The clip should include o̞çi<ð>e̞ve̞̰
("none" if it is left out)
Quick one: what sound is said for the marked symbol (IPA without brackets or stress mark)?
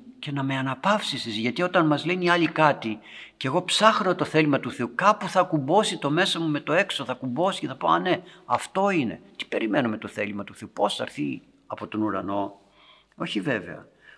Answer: v